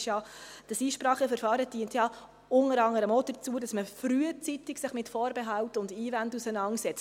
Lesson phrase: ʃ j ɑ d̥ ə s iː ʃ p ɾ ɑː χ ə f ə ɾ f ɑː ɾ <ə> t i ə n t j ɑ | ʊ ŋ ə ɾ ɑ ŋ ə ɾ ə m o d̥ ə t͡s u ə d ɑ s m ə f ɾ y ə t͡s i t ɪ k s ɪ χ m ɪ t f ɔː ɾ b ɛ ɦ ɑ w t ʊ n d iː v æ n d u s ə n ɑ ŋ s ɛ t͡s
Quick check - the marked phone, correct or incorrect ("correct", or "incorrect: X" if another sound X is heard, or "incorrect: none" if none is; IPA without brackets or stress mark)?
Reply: correct